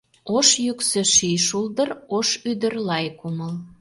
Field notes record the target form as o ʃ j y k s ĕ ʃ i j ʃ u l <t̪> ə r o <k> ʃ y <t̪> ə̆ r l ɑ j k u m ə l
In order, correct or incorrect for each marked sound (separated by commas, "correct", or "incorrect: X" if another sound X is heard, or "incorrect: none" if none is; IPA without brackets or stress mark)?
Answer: incorrect: d̪, incorrect: none, incorrect: d̪